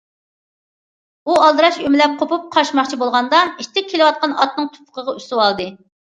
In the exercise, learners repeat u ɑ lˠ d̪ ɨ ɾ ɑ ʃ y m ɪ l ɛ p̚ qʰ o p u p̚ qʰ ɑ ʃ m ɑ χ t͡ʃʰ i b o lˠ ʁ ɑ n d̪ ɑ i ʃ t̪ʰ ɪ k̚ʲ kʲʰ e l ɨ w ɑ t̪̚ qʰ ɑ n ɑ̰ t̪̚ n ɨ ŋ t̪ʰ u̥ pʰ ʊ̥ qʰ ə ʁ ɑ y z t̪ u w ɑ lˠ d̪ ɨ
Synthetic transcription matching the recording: u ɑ lˠ d̪ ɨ ɾ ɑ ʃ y m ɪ l ɛ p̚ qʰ o p u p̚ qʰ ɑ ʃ m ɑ χ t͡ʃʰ i b o lˠ ʁ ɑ n d̪ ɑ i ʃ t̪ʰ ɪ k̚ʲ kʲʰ e l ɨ w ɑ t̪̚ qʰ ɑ n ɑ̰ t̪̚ n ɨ ŋ t̪ʰ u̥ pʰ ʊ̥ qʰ ə ʁ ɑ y s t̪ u w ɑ lˠ d̪ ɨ